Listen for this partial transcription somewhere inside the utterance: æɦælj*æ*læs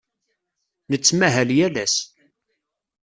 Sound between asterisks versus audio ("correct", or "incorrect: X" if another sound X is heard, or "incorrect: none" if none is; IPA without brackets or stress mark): correct